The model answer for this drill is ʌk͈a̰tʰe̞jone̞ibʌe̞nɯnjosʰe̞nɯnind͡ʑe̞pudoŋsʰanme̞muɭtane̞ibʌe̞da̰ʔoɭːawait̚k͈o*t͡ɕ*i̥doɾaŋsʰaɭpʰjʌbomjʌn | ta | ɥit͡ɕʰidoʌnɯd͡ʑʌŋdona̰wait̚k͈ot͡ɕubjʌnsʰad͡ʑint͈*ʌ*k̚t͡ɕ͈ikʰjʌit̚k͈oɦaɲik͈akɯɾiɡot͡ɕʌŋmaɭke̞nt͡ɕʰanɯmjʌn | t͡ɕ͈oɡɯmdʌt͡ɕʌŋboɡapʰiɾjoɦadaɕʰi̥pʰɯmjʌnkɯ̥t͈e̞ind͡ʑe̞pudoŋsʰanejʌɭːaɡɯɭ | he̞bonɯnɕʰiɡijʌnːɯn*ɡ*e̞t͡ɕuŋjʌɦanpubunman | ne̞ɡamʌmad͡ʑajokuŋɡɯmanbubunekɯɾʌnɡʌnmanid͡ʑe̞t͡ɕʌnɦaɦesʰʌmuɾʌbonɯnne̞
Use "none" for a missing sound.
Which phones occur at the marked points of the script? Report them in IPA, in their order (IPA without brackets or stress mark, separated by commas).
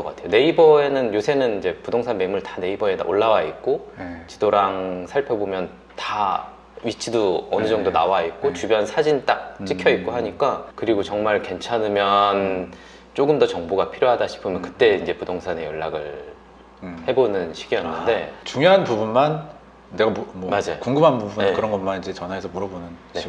t͡ɕ, a, d